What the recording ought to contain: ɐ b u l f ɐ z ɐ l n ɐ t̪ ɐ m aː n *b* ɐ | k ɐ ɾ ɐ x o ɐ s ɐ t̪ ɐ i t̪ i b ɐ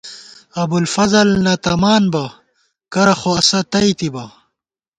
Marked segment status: correct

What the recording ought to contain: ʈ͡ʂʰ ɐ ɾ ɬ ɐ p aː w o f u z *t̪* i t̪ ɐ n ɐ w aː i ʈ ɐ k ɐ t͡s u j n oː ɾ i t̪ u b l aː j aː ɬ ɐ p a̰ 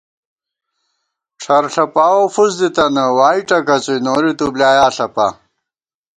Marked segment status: incorrect: d̪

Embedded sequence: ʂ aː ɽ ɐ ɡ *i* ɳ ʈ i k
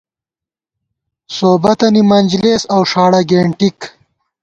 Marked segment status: incorrect: e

